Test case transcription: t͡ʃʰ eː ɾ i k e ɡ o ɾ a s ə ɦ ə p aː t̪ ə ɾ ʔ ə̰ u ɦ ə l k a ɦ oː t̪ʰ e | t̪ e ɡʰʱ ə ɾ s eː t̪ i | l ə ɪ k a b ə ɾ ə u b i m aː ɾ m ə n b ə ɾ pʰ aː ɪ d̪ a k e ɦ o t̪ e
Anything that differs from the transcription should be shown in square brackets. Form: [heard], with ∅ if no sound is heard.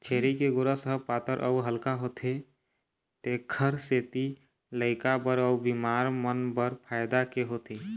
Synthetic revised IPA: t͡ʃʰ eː ɾ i k e ɡ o ɾ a s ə ɦ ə p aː t̪ ə ɾ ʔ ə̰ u ɦ ə l k a ɦ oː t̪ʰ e | t̪ e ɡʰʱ ə ɾ s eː t̪ i | l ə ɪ k a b ə ɾ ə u b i m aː ɾ m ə n b ə ɾ pʰ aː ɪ d̪ a k e ɦ o t̪ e